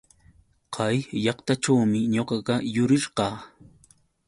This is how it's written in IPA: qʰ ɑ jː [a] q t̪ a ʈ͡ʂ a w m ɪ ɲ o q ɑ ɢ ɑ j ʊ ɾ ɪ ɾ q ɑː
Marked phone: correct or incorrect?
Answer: incorrect